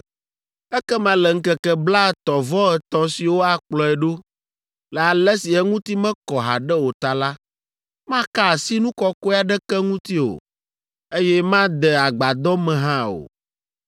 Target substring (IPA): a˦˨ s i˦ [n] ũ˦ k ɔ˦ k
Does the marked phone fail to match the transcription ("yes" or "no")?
no